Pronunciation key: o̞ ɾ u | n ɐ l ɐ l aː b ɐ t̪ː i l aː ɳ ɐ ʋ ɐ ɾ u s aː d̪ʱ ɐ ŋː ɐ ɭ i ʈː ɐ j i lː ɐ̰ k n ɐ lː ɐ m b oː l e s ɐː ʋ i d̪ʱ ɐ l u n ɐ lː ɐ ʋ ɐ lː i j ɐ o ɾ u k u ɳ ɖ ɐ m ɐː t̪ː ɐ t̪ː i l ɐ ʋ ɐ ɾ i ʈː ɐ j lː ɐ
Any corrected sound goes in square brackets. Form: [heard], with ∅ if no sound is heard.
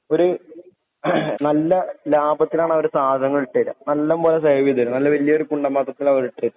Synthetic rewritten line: o̞ ɾ u | n ɐ [lː] ɐ l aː b ɐ t̪ː i l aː ɳ ɐ ʋ ɐ ɾ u s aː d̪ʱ ɐ ŋː ɐ ɭ i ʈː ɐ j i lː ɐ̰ [∅] n ɐ lː ɐ m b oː l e s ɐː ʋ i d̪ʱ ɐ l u n ɐ lː ɐ ʋ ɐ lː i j ɐ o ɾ u k u ɳ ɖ ɐ m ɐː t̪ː ɐ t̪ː i l ɐ ʋ ɐ ɾ i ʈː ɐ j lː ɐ